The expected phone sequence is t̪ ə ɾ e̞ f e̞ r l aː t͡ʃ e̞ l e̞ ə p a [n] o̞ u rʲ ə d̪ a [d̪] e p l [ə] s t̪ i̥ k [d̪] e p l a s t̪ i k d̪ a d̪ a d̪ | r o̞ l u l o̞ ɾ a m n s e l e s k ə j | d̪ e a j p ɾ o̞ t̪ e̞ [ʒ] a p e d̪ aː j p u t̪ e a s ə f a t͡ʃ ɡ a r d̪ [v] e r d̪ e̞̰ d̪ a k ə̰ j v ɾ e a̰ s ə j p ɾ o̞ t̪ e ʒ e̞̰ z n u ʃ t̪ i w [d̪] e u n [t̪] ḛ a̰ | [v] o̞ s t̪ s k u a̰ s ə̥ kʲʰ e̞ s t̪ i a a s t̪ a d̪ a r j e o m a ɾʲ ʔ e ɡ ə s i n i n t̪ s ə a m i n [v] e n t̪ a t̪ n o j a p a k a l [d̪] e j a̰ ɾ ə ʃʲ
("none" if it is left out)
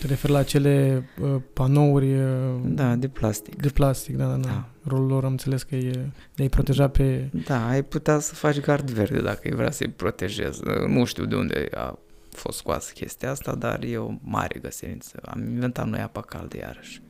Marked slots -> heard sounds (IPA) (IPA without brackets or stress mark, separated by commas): n, d̪, a, d̪, ʒ, v, d̪, d̪, f, v, d̪